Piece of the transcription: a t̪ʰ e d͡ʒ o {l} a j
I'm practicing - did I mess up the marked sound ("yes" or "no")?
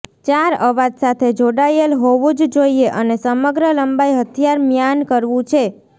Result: yes